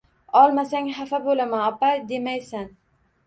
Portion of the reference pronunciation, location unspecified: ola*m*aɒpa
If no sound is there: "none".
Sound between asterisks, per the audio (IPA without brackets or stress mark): m